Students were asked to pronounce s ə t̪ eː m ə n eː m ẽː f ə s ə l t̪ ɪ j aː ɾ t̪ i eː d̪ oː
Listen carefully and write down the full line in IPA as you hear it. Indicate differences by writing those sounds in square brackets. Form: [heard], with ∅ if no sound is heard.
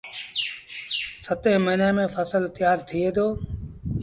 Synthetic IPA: s ə t̪ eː m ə n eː m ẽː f ə s ə l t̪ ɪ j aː ɾ [t̪ʰ] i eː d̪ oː